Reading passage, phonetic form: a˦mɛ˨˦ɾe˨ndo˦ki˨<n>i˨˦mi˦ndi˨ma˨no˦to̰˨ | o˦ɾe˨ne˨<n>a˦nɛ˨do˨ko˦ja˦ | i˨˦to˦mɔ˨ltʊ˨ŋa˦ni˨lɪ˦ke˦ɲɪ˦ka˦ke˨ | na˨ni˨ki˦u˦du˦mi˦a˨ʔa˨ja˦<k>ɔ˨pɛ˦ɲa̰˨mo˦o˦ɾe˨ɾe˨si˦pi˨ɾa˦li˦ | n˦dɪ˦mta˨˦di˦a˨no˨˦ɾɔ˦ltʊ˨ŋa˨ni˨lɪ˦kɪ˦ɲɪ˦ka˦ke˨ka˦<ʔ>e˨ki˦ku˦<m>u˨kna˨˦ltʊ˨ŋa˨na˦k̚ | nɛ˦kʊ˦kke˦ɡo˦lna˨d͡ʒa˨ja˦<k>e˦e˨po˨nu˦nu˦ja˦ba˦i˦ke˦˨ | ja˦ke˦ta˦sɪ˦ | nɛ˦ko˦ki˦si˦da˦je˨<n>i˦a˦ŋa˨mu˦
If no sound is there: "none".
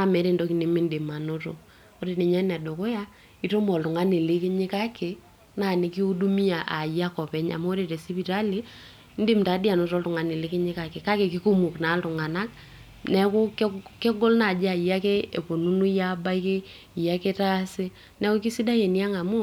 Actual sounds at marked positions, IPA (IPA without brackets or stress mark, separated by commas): n, ɲ, k, k, m, k, n